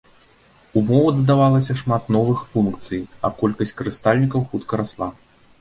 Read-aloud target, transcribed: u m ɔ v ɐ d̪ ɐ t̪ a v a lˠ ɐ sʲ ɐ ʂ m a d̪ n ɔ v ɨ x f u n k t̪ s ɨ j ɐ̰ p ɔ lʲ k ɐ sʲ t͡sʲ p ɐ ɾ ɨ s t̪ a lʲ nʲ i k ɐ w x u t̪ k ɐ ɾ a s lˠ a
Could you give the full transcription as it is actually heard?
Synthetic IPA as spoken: u m ɔ v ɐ d̪ ɐ d̪ a v a lˠ ɐ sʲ ɐ ʂ m a t̪ n ɔ v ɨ x f u n k t̪ s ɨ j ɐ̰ k ɔ lʲ k ɐ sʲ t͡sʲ k ɐ ɾ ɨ s t̪ a lʲ nʲ i k ɐ w x u t̪ k ɐ ɾ a s lˠ a